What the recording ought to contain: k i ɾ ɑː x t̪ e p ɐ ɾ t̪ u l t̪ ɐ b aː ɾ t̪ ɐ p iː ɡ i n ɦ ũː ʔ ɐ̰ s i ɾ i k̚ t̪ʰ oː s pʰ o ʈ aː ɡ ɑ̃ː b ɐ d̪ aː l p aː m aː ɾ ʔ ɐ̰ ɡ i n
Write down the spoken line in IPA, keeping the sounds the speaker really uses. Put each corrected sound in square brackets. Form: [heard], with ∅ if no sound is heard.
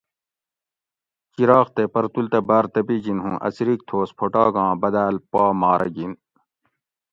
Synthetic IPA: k i ɾ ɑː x t̪ e p ɐ ɾ t̪ u l t̪ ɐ b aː ɾ t̪ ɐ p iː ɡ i n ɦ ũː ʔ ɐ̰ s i ɾ i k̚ t̪ʰ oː s pʰ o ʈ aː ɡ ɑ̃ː b ɐ d̪ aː l p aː m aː ɾ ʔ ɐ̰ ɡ i n